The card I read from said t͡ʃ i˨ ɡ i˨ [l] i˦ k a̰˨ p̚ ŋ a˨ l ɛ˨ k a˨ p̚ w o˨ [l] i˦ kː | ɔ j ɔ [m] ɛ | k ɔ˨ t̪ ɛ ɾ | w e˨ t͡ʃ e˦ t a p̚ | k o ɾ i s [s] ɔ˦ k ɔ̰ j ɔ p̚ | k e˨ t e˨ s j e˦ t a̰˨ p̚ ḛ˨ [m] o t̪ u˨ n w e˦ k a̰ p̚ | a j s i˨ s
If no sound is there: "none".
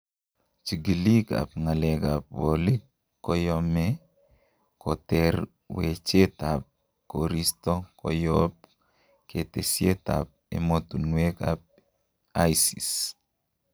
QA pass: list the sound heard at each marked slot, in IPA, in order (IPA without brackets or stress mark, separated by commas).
l, l, m, t, m